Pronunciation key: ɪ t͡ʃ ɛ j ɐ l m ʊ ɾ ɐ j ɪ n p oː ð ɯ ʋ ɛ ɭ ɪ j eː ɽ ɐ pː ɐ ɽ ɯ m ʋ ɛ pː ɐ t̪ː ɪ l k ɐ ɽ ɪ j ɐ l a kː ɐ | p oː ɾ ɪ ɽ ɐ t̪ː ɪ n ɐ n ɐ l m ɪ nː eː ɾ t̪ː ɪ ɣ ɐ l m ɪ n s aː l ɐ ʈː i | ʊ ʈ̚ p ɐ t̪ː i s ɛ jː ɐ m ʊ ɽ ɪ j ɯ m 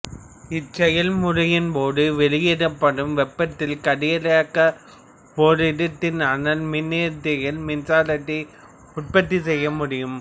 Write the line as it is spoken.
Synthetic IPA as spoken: ɪ t͡ʃ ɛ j ɐ l m ʊ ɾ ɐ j ɪ n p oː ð ɯ ʋ ɛ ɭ ɪ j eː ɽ ɐ pː ɐ ɽ ɯ m ʋ ɛ pː ɐ t̪ː ɪ l k ɐ ɽ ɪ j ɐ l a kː ɐ | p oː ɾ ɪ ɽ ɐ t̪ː ɪ n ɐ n ɐ l m ɪ nː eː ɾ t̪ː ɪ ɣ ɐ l m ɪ n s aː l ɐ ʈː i | ʊ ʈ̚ p ɐ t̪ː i s ɛ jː ɐ m ʊ ɽ ɪ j ɯ m